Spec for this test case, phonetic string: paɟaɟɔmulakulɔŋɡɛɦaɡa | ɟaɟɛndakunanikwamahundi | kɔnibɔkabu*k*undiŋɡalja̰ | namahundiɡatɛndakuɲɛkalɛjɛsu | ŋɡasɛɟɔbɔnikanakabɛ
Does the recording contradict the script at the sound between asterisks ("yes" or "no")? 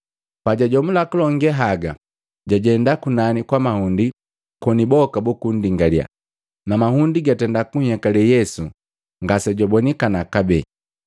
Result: no